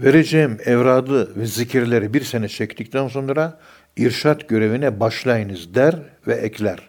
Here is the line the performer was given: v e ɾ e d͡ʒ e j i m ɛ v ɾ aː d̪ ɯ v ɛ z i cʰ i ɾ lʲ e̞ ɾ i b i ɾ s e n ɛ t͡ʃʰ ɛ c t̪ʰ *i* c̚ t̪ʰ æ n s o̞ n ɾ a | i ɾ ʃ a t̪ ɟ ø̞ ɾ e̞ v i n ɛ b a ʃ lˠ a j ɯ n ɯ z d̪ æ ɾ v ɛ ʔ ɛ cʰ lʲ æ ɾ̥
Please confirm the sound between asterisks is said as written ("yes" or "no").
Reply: yes